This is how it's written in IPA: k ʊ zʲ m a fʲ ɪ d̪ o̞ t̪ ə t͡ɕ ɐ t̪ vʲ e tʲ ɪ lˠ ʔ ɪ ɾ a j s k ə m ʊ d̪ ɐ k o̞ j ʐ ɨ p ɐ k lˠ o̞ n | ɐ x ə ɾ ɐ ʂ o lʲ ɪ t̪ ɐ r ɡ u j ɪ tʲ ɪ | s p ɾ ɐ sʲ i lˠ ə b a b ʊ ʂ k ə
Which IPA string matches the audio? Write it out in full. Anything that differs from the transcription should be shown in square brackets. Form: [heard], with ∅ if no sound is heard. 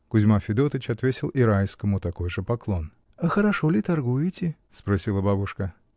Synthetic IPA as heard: k ʊ zʲ m a fʲ ɪ d̪ o̞ t̪ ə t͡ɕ ɐ t̪ vʲ e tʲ ɪ lˠ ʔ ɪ ɾ a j s k ə m ʊ [t̪] ɐ k o̞ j ʐ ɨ p ɐ k lˠ o̞ n | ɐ x ə ɾ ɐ ʂ o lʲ ɪ t̪ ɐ r ɡ u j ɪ tʲ ɪ | s p ɾ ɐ sʲ i lˠ ə b a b ʊ ʂ k ə